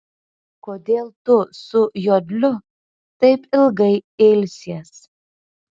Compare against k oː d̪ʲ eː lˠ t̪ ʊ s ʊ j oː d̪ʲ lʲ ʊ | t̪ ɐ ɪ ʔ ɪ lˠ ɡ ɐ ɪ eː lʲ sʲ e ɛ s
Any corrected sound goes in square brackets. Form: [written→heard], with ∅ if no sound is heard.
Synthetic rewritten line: k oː d̪ʲ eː lˠ t̪ ʊ s ʊ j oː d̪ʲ lʲ ʊ | t̪ ɐ ɪ [ʔ→p] ɪ lˠ ɡ ɐ ɪ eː lʲ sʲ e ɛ s